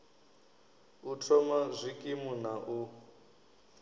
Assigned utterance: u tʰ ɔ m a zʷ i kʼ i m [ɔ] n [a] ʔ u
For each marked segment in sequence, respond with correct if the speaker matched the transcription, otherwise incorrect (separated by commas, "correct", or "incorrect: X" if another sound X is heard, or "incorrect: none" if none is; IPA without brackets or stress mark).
incorrect: u, correct